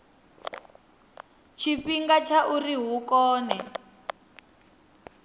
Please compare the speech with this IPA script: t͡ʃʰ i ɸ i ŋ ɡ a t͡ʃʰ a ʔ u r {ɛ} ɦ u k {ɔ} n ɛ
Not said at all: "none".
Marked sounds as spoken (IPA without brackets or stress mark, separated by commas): i, ɔː